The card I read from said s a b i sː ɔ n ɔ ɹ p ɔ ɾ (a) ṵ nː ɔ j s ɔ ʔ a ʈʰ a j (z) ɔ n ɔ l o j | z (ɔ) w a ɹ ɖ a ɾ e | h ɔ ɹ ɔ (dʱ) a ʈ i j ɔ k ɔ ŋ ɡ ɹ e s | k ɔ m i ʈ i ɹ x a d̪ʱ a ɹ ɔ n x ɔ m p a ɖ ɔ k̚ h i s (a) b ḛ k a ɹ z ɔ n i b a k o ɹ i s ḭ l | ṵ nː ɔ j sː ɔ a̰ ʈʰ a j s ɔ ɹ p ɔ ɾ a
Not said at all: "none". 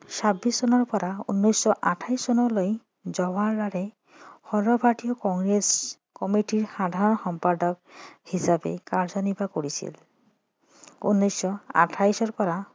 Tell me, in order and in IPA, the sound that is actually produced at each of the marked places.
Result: a, s, ɔ, bʱ, a

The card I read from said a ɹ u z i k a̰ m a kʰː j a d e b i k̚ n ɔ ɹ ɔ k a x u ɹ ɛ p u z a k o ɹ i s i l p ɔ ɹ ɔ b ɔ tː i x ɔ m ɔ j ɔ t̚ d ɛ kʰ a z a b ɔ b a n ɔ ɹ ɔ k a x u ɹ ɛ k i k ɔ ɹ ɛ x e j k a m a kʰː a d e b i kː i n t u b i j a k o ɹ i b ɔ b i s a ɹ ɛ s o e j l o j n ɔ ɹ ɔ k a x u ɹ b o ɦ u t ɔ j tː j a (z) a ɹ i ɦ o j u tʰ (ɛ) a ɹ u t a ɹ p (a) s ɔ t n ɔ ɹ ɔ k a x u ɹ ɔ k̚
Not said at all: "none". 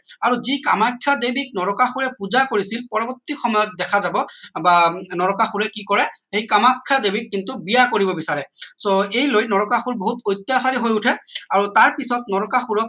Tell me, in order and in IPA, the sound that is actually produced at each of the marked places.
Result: s, ɛ, i

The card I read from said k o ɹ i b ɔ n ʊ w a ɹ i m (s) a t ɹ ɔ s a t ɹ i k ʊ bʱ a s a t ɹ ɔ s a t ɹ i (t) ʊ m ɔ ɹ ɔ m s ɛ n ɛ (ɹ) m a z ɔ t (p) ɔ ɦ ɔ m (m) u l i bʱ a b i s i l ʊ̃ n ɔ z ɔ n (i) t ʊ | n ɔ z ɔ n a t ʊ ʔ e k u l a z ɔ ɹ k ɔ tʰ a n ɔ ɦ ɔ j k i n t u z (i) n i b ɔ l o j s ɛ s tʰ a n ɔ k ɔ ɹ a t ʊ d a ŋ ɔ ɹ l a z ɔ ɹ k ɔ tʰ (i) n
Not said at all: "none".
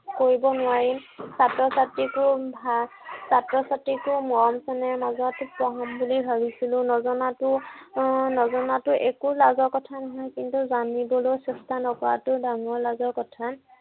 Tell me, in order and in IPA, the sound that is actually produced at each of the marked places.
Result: s, k, ɹ, p, b, a, a, a

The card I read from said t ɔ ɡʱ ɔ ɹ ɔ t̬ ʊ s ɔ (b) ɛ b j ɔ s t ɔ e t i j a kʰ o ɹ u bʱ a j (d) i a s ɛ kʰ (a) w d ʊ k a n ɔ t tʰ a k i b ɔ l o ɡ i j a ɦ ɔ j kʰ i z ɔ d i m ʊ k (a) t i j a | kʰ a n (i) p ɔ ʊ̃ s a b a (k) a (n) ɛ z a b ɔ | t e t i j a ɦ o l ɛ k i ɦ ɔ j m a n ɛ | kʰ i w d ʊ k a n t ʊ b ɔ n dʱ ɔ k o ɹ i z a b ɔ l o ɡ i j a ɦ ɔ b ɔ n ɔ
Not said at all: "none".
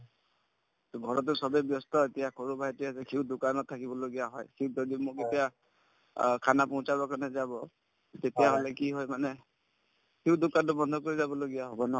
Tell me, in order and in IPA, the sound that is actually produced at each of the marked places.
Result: b, t, i, e, a, k, n

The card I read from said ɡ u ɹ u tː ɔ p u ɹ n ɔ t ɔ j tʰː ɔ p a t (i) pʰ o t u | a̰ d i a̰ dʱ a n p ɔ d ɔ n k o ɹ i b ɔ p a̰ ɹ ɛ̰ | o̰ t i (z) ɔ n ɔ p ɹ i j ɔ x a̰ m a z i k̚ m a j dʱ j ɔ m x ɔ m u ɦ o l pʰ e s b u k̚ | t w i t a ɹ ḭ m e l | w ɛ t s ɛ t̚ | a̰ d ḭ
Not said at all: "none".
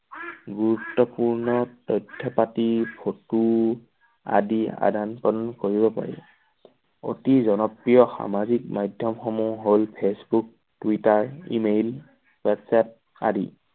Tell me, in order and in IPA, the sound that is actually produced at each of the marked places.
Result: i, z

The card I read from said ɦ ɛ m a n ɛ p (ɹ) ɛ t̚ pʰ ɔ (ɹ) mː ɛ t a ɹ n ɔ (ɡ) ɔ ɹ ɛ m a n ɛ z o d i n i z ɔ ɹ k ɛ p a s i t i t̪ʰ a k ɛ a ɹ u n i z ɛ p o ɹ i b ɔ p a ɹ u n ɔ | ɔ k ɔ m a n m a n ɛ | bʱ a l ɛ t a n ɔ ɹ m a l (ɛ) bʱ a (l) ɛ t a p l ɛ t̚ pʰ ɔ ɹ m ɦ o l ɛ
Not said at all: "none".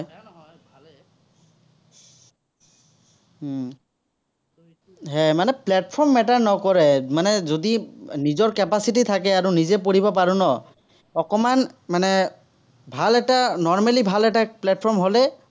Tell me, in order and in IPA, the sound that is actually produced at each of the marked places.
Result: l, ɹ, k, i, l

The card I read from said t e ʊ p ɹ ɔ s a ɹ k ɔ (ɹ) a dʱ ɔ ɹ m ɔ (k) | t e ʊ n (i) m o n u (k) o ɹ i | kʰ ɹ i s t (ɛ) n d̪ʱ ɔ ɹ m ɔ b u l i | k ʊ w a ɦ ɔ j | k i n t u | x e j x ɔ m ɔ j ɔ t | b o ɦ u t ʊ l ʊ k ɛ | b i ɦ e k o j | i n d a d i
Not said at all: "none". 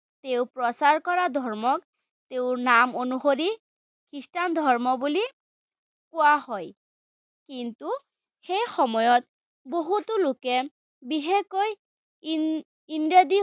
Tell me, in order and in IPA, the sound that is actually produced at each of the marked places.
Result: ɹ, k, a, x, a

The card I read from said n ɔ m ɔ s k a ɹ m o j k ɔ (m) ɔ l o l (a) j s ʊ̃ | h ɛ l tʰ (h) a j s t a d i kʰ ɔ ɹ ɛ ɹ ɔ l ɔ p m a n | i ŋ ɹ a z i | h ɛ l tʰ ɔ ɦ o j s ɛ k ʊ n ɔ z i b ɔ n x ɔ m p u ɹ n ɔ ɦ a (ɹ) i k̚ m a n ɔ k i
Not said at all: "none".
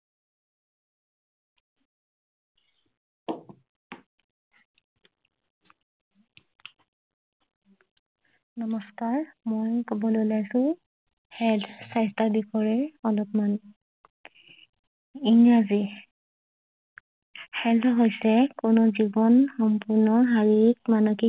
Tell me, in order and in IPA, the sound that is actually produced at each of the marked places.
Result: b, a, s, ɹ

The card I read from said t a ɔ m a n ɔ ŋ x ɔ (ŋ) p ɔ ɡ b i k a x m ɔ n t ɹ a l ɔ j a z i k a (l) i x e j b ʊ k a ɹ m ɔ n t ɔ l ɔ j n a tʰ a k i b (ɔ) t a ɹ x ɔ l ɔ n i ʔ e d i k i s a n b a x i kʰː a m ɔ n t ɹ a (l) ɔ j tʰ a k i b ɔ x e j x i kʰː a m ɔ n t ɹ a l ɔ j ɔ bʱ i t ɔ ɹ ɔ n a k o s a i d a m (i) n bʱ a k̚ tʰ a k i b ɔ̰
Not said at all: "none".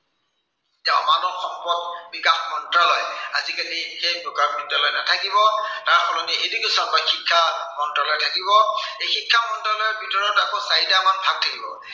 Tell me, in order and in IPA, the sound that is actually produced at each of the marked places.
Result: m, l, ɔ, l, a

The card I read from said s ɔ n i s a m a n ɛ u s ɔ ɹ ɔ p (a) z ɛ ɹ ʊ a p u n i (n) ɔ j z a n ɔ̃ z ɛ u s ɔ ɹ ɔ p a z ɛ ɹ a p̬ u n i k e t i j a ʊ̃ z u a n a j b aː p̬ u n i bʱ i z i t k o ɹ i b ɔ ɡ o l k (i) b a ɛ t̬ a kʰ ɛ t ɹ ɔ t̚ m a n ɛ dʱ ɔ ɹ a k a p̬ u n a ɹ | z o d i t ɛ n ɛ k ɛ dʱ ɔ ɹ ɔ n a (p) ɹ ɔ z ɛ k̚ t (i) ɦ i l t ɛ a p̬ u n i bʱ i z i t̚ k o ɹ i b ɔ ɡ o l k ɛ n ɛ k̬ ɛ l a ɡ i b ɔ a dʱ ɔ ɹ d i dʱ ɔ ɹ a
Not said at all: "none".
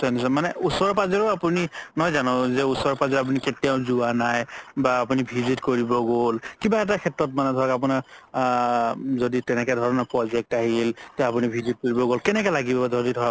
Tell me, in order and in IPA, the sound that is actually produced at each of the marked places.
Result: a, n, i, p, a

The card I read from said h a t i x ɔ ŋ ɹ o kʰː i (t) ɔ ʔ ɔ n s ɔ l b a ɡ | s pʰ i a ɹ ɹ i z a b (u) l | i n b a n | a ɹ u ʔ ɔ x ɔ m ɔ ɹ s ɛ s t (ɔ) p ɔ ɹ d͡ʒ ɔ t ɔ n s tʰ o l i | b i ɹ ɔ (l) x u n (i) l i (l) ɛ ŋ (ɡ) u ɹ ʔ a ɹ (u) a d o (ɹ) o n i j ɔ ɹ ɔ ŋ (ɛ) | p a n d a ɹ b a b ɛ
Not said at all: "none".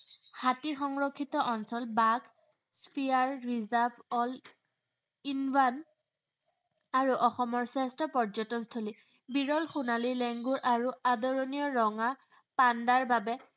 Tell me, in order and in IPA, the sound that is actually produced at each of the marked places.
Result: t, ɔ, ɔ, l, a, l, ɡ, u, ɹ, a

